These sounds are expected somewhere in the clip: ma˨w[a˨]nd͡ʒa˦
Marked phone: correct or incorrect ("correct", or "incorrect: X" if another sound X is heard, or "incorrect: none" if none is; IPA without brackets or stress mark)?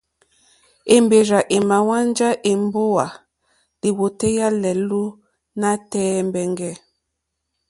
incorrect: a˦